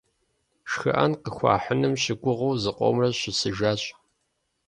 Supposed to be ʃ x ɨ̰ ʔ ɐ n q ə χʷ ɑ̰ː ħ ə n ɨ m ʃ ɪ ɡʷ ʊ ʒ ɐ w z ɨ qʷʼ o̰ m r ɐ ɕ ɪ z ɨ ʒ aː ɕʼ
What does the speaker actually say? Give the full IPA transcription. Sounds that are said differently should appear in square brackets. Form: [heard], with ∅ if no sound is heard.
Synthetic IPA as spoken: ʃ x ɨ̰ ʔ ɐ n q ə [xʷ] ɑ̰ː ħ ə n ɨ m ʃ ɪ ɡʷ ʊ [ʁ] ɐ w z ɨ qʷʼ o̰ m r ɐ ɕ ɪ [s] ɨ ʒ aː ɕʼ

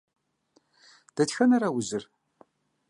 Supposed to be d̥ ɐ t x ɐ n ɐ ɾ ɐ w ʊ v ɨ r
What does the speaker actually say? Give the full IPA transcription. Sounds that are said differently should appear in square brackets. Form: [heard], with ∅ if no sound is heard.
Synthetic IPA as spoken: d̥ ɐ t x ɐ n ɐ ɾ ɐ w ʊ [z] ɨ r

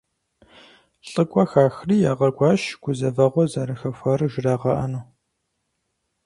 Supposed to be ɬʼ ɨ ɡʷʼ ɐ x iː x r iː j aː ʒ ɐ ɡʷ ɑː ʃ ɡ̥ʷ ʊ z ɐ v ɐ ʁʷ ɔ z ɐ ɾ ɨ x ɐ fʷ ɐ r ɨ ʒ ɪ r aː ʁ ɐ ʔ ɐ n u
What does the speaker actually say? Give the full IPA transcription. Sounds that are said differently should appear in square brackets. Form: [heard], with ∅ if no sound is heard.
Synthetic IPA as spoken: ɬʼ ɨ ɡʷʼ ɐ x [aː] x r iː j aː [ʁ] ɐ ɡʷ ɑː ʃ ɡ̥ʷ ʊ z ɐ v ɐ ʁʷ ɔ z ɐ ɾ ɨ x ɐ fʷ ɐ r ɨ ʒ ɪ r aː ʁ ɐ ʔ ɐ n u

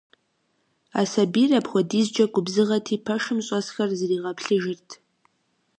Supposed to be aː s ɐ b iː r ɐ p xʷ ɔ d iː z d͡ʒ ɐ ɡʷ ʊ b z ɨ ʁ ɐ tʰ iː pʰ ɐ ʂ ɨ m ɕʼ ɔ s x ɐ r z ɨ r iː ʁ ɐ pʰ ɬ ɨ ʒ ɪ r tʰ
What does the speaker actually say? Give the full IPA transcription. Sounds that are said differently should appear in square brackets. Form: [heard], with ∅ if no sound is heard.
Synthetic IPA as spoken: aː s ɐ b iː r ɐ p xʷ ɔ d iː z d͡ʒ ɐ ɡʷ ʊ b z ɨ ʁ ɐ tʰ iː pʰ ɐ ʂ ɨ m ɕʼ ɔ s x ɐ r z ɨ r iː ʁ ɐ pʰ ɬ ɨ ʒ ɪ r tʰ

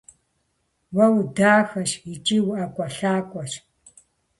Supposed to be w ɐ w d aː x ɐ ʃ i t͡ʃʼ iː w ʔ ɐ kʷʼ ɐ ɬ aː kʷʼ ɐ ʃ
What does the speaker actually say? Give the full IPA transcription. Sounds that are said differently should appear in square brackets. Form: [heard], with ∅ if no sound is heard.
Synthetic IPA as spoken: w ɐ w d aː x ɐ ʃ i t͡ʃʼ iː w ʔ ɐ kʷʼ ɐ ɬ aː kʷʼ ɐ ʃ

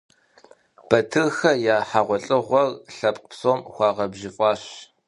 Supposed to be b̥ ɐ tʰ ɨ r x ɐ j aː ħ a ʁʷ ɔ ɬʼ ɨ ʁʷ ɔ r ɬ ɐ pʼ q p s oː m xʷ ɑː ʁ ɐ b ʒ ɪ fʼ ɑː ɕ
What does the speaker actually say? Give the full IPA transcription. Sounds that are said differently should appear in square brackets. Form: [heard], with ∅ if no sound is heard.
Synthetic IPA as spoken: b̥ ɐ tʰ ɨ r x ɐ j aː ħ a ʁʷ ɔ ɬʼ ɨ ʁʷ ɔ r ɬ ɐ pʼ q p s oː m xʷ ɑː ʁ ɐ b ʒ ɪ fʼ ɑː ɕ

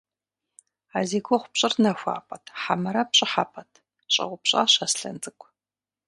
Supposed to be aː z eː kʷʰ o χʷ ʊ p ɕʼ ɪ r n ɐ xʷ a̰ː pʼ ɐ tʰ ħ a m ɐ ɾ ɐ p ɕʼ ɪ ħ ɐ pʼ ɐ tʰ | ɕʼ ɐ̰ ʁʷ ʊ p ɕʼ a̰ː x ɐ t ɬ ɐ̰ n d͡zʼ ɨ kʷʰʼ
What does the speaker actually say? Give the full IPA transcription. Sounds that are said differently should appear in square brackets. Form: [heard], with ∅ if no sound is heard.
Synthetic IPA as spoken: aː z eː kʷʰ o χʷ ʊ p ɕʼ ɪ r n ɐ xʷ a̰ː pʼ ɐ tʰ ħ a m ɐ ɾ ɐ p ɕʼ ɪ ħ [a] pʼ ɐ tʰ | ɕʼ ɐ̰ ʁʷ ʊ p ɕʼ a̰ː [ɕ] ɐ [s] ɬ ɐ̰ n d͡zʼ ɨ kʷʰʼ

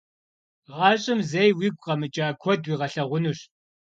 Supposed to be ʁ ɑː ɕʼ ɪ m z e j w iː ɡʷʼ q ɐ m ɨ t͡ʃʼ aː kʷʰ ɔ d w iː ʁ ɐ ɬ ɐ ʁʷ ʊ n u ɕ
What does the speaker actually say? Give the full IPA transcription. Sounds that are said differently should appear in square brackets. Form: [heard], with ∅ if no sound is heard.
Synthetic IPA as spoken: ʁ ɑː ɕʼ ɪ m z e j w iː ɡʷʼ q ɐ m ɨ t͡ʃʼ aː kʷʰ ɔ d w iː ʁ ɐ ɬ ɐ ʁʷ ʊ n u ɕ

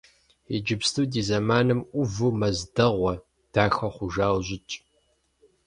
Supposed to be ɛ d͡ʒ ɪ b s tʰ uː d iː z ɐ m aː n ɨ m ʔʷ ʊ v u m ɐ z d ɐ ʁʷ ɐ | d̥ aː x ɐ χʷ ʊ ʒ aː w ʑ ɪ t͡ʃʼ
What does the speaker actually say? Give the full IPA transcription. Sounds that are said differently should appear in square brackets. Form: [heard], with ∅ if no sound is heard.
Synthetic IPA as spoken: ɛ d͡ʒ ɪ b s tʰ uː d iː z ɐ m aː n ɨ m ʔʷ ʊ v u m ɐ z d ɐ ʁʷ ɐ | d̥ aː x ɐ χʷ ʊ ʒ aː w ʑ ɪ t͡ʃʼ

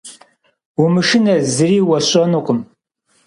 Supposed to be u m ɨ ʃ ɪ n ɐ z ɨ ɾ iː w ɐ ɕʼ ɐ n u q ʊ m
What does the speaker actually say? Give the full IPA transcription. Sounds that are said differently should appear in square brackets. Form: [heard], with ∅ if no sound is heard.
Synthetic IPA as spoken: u m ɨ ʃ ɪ n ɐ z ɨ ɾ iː w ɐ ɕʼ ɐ n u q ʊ m

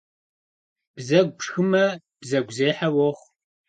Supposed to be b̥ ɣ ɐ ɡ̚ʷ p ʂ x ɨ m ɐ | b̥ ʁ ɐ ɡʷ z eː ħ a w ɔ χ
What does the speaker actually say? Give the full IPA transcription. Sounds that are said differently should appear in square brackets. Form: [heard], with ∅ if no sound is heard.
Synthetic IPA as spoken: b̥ [z] ɐ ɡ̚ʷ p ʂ x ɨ m ɐ | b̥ [z] ɐ ɡʷ z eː ħ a w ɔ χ

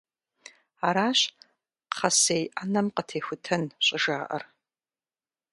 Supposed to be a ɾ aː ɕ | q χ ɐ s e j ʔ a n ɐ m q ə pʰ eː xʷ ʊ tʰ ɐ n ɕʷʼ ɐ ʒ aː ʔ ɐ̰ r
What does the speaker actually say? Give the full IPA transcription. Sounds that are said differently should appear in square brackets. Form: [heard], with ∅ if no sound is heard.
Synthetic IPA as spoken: a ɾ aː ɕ | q χ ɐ s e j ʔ a n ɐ m q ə [tʰ] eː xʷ ʊ tʰ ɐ n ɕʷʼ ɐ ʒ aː ʔ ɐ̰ r

